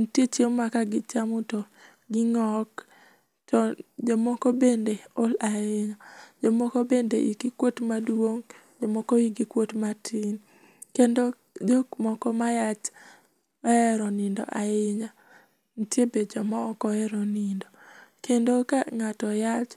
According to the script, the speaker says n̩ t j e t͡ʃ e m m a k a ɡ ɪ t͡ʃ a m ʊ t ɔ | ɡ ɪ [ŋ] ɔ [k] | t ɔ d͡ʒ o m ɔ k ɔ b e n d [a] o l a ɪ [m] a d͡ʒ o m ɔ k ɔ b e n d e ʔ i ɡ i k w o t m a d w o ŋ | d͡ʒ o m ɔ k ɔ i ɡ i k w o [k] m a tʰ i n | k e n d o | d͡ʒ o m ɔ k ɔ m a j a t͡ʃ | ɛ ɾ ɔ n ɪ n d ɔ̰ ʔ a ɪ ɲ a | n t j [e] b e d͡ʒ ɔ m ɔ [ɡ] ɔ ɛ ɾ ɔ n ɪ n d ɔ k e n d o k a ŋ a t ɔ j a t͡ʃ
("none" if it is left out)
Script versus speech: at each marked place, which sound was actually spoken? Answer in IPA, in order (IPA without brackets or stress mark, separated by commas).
ŋ, k, e, ɲ, t, e, k